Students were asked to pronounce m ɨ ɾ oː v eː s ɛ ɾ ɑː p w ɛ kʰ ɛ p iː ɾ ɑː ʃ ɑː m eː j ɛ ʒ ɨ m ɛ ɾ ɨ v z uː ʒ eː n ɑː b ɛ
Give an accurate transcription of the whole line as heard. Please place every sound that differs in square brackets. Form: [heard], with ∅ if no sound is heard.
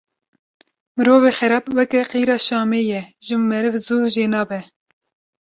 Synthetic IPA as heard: m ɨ ɾ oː v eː [x] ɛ ɾ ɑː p w ɛ [k] ɛ [q] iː ɾ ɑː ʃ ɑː m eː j ɛ ʒ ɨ m ɛ ɾ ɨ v z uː ʒ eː n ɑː b ɛ

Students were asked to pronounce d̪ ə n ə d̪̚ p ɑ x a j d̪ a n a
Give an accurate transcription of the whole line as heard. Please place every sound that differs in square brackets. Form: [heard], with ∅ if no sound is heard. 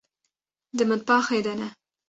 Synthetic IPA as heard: d̪ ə [m] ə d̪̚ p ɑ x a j d̪ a n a

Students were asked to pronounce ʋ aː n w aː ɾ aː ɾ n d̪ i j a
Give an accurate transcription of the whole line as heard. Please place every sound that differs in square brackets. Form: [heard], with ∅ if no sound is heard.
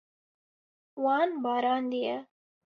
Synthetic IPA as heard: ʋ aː n [b] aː ɾ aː [∅] n d̪ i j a

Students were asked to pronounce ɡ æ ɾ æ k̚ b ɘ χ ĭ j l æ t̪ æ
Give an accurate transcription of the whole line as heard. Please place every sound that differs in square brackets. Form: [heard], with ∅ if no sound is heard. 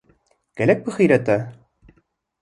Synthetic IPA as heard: [k] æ [l] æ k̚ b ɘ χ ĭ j [ɾ] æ t̪ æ

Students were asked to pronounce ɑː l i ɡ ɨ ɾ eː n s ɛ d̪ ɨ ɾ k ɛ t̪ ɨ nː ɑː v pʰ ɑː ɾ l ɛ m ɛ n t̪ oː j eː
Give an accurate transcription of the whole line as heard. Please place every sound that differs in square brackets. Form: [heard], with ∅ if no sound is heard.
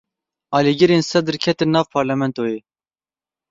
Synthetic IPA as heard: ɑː l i ɡ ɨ ɾ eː n s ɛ d̪ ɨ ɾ [kʰ] ɛ t̪ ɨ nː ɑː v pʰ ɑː ɾ l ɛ m ɛ n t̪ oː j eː

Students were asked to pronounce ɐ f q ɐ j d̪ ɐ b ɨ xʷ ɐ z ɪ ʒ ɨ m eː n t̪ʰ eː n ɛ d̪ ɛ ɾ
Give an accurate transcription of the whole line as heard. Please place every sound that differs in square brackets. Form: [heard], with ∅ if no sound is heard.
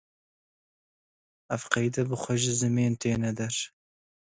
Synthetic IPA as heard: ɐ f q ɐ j d̪ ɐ b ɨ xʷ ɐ [ʒ] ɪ [z] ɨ m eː n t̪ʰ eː n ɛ d̪ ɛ ɾ

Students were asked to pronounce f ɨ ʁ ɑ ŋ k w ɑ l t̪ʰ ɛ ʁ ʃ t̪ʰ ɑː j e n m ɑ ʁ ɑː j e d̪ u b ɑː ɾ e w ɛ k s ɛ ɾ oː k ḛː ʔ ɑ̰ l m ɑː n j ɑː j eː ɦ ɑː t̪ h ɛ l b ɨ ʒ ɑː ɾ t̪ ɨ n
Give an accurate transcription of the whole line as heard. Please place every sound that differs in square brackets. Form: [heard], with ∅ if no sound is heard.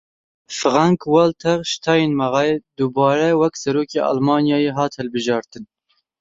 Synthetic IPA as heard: f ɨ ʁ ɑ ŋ k w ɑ l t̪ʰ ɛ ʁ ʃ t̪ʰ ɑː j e n m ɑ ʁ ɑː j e d̪ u b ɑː ɾ [ɛ] w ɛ k s ɛ ɾ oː k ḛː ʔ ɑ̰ l m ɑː n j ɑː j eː ɦ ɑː t̪ h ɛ l b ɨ ʒ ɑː ɾ t̪ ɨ n

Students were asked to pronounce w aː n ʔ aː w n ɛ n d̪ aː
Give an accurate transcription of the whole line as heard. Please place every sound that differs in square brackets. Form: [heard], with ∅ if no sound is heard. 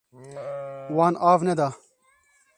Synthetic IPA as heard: w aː n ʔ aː [v] n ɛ [∅] d̪ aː

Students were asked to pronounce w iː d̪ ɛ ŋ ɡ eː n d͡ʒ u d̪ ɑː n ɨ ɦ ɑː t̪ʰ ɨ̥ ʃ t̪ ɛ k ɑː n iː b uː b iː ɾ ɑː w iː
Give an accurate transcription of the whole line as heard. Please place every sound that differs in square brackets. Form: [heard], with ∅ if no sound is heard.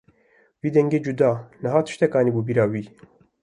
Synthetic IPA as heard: w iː d̪ ɛ ŋ ɡ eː [∅] d͡ʒ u d̪ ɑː n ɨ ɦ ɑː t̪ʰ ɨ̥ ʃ t̪ ɛ k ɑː n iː b uː b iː ɾ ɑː w iː

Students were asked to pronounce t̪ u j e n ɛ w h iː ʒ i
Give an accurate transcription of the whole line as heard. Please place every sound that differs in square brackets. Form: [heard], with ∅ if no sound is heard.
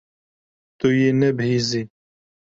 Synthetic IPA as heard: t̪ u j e n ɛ [b] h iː [z] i

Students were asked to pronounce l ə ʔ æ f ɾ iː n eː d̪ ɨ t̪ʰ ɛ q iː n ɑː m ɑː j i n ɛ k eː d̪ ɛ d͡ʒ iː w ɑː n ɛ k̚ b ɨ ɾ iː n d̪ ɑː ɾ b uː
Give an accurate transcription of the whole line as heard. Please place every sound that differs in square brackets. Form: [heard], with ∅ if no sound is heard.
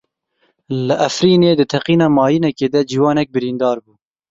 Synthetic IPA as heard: l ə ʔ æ f ɾ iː n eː d̪ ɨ t̪ʰ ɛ q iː n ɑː m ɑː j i n ɛ k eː d̪ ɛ d͡ʒ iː w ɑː n ɛ k̚ b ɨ ɾ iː n d̪ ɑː ɾ b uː

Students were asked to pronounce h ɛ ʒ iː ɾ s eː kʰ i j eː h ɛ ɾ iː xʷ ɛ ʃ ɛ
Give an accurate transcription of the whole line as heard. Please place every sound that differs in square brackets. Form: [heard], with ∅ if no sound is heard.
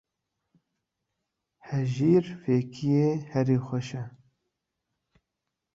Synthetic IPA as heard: h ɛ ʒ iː ɾ [f] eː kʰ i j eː h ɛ ɾ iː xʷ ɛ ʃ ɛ

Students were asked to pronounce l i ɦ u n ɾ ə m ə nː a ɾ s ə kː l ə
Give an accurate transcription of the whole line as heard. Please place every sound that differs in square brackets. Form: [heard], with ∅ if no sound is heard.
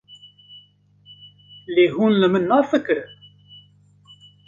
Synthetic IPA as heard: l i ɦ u n [l] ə m ə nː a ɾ [f] ə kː [ɾ] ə

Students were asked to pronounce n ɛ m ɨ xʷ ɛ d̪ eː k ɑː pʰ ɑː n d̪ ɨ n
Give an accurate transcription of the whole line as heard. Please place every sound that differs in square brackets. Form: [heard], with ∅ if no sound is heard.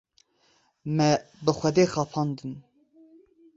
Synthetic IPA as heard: [m] ɛ [b] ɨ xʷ ɛ d̪ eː [x] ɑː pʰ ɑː n d̪ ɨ n

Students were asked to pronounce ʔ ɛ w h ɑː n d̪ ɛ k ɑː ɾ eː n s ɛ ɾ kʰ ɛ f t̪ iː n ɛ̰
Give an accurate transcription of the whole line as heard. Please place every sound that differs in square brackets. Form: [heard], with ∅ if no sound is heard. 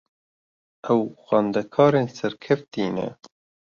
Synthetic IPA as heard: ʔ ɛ w [x] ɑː n d̪ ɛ [kʰ] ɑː ɾ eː n s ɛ ɾ kʰ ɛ f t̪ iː n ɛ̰

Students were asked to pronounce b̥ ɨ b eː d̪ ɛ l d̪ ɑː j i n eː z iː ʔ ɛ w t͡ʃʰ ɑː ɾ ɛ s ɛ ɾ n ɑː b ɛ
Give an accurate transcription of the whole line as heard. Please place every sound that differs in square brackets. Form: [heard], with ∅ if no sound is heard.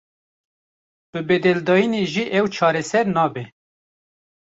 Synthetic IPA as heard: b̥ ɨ b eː d̪ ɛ l d̪ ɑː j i n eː [ʒ] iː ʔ ɛ w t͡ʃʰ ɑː ɾ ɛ s ɛ ɾ n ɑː b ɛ

